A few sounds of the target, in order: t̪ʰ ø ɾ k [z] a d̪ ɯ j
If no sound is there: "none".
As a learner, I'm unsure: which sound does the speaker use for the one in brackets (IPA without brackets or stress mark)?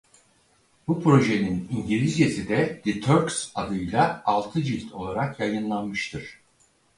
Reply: s